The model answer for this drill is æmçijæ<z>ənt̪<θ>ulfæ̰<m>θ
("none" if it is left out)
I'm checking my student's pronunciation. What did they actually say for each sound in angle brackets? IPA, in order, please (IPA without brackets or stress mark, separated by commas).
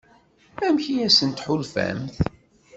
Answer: s, ħ, m